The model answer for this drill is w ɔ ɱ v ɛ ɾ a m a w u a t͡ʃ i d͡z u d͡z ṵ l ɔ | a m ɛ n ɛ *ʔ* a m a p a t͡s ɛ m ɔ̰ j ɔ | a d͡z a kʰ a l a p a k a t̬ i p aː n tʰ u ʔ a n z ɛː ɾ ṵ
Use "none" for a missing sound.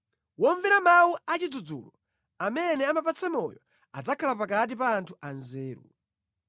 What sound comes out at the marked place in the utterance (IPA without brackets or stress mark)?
none